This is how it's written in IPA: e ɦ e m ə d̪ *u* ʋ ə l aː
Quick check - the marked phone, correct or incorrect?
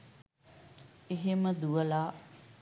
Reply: correct